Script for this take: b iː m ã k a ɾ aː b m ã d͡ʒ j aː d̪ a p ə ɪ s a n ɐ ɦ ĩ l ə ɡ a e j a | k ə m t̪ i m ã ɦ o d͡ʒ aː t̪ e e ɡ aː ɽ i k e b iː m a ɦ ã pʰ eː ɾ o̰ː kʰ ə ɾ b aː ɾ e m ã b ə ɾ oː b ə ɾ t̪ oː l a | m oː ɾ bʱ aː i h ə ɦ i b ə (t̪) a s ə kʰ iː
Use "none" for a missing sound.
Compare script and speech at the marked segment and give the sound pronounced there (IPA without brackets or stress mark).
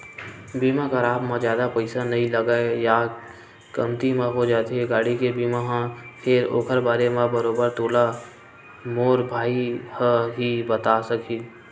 t̪